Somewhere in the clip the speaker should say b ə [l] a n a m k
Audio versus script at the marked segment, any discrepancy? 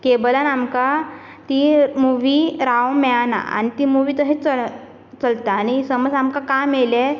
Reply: no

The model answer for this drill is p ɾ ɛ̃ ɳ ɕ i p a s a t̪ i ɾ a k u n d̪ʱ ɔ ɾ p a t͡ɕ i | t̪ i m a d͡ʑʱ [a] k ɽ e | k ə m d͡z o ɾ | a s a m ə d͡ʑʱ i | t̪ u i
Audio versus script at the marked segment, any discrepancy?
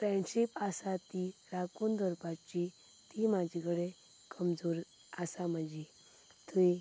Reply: yes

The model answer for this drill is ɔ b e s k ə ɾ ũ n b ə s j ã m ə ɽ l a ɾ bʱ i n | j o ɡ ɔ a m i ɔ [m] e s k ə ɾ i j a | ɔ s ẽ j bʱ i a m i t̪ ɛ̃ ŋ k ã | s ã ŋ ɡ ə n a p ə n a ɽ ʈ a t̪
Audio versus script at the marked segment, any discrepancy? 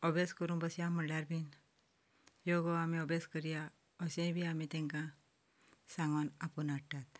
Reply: yes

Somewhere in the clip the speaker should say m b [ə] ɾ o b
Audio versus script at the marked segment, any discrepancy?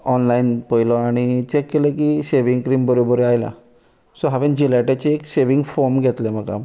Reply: no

